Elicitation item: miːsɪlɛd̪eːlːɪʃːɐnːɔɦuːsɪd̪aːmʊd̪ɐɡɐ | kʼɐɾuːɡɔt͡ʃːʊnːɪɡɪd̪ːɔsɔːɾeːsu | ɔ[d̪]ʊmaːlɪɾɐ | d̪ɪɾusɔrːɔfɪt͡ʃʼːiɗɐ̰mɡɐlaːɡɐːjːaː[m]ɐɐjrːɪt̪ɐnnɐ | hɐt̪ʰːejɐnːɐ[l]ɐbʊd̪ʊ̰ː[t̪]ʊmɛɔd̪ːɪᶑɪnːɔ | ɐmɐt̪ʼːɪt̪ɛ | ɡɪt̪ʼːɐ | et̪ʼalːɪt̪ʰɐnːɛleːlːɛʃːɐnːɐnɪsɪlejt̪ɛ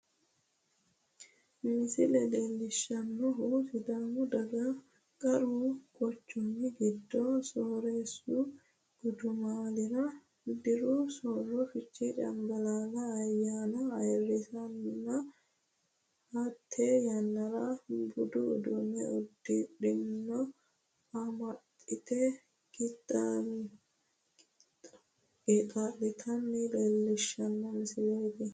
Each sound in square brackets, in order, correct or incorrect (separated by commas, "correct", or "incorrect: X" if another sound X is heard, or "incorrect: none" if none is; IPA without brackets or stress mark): correct, incorrect: n, incorrect: ɾ, incorrect: d̪